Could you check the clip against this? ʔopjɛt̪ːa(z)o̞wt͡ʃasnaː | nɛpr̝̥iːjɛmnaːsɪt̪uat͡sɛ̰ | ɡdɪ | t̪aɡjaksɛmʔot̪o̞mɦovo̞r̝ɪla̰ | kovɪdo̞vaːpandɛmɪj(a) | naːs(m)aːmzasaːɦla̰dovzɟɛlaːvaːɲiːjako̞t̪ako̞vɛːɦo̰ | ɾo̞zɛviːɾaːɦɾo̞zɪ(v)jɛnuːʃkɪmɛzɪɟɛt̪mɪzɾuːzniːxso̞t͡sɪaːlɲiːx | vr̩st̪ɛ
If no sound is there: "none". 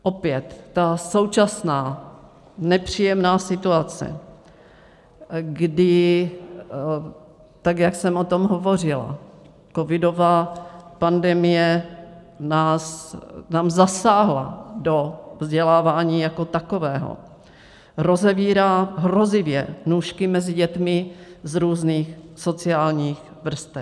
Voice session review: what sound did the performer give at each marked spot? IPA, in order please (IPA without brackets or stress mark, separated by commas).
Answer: s, ɛ, n, v